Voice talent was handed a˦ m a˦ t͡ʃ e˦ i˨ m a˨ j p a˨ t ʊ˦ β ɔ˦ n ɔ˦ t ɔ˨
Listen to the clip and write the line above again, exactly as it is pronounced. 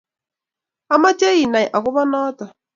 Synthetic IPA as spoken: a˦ m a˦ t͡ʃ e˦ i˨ n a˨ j ʔ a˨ k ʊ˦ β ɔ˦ n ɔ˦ t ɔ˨